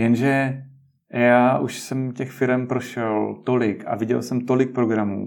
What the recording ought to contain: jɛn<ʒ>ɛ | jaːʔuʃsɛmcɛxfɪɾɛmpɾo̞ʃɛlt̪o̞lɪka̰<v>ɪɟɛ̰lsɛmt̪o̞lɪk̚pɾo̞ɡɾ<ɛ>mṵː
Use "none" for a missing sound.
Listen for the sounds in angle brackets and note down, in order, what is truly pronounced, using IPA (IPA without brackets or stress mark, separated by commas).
ʒ, v, a